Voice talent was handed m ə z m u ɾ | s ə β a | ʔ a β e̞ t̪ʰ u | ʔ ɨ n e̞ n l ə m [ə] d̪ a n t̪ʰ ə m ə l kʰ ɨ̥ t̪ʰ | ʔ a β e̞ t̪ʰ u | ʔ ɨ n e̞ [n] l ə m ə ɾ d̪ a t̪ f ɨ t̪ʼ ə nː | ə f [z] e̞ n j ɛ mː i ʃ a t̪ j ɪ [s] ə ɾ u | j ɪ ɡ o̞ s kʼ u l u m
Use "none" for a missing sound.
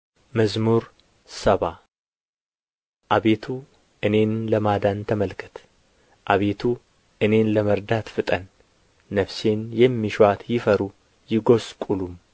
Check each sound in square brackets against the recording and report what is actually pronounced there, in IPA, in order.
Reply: a, n, s, f

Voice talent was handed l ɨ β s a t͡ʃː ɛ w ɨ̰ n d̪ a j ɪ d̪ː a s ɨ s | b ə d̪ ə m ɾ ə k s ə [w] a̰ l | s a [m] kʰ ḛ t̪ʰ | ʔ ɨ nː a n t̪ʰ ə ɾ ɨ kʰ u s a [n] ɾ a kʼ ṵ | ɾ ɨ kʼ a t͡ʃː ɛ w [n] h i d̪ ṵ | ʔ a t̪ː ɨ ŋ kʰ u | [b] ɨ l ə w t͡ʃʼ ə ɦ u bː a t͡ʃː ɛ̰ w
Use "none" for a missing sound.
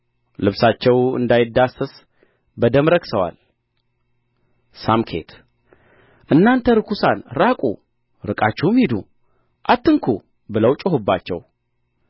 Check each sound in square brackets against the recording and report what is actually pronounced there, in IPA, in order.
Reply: w, m, n, m, b

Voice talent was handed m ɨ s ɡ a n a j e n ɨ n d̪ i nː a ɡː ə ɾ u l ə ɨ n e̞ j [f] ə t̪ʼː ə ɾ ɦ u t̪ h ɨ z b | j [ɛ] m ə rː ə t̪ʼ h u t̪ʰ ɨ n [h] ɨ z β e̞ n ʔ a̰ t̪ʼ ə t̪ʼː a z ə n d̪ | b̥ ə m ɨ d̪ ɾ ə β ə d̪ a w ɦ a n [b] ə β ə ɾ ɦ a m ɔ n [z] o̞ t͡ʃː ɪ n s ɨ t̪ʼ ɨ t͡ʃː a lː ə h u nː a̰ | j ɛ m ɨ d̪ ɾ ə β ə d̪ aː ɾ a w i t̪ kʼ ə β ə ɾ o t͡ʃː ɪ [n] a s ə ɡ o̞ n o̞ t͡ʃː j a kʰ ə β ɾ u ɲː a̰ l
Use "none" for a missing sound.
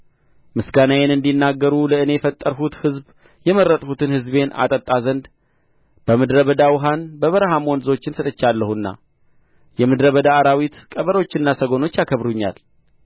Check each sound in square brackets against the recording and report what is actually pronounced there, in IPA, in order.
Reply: f, ɛ, h, b, z, nː

